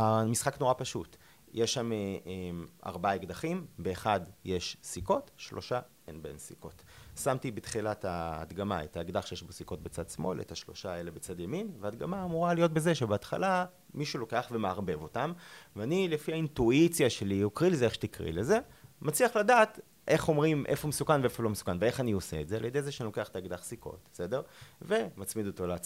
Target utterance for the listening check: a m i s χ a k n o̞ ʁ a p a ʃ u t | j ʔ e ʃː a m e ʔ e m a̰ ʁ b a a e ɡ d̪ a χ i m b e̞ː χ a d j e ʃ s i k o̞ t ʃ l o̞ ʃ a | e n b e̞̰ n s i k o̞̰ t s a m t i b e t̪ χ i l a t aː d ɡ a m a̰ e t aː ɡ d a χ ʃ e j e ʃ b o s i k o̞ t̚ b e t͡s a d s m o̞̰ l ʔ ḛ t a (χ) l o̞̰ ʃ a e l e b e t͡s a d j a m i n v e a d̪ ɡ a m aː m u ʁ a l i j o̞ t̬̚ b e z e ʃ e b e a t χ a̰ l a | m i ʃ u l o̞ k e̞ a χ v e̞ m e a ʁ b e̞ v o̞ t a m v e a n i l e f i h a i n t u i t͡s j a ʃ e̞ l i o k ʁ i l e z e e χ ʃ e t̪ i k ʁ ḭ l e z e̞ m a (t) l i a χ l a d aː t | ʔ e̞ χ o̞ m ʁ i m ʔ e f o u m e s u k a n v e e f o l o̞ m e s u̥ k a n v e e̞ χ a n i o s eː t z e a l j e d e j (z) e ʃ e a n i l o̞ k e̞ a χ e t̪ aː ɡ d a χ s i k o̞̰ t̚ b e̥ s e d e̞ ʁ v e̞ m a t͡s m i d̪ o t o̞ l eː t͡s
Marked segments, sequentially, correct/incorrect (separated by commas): incorrect, incorrect, correct